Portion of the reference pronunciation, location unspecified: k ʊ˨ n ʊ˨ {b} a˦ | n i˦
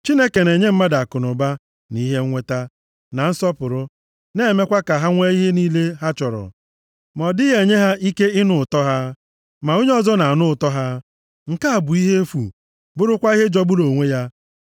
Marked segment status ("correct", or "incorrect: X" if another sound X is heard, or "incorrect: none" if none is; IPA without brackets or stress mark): correct